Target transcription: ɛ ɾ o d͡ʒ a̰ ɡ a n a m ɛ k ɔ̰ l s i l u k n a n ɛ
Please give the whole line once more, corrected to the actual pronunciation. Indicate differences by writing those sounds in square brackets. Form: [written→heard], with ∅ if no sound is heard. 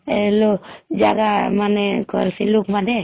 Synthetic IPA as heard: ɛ [ɾ→l] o d͡ʒ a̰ ɡ a [n→m] a [m→n] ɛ k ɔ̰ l s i l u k [n→m] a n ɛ

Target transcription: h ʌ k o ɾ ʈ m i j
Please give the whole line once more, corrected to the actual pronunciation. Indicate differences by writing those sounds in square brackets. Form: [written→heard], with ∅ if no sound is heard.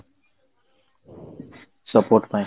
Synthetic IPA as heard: [h→s] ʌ [k→p] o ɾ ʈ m [i→a] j

